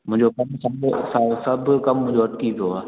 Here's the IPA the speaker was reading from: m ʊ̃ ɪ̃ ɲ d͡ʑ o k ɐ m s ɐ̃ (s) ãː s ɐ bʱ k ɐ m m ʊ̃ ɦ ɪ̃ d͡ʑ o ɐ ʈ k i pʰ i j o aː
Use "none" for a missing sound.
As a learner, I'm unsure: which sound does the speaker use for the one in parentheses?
s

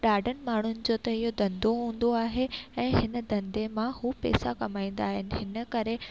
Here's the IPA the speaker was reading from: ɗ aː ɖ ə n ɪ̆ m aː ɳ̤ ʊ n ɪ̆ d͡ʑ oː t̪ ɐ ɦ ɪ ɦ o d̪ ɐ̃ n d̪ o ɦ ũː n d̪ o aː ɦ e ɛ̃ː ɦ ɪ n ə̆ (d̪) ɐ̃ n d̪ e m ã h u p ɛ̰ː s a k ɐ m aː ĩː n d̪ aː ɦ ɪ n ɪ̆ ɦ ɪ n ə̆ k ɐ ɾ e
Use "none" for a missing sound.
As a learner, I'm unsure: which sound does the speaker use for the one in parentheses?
d̪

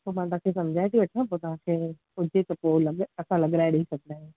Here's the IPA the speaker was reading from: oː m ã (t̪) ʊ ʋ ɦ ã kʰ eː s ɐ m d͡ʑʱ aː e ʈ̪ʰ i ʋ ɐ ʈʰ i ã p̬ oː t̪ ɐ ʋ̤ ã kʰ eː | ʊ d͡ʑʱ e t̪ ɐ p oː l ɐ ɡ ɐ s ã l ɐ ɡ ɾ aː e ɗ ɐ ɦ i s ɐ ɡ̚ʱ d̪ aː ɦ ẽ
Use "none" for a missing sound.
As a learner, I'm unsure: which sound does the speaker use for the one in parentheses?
t̪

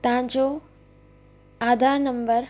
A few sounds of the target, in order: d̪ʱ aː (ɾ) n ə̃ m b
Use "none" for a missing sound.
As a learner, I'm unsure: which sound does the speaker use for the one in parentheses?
ɾ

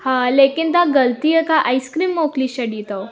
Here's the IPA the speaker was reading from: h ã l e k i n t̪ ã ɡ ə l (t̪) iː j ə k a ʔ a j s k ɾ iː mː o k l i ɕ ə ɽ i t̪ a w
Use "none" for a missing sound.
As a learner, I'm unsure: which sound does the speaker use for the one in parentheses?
t̪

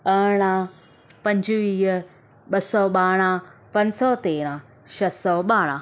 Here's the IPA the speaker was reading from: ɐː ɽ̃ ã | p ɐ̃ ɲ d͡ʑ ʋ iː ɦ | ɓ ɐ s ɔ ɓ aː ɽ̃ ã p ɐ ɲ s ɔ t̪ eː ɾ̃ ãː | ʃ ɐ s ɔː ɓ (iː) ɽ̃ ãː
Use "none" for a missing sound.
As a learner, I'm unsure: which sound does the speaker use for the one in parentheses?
aː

